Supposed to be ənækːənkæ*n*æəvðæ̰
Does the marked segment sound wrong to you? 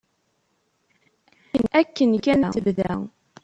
no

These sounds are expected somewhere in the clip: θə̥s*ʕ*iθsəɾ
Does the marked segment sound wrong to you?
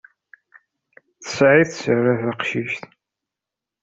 no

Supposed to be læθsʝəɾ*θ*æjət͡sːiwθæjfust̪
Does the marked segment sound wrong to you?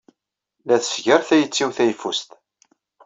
no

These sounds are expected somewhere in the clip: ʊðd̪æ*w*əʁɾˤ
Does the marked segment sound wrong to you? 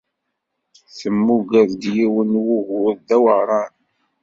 no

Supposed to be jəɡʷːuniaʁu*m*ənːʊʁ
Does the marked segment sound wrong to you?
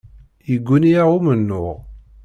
no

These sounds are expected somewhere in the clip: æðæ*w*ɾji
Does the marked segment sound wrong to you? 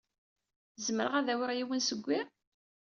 no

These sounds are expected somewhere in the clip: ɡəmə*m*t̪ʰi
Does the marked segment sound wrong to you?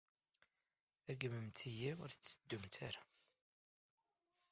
no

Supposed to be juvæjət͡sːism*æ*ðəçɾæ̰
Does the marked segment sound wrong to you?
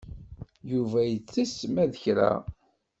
no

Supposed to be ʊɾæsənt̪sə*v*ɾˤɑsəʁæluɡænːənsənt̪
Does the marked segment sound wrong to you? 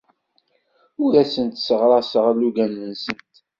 yes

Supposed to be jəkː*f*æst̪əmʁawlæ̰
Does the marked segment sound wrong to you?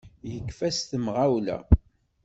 no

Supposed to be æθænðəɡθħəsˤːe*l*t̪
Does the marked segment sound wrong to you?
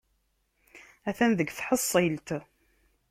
no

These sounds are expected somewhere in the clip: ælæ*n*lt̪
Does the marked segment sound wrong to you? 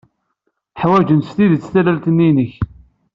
yes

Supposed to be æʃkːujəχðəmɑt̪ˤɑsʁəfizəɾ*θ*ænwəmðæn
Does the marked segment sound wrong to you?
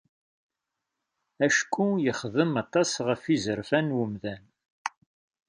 yes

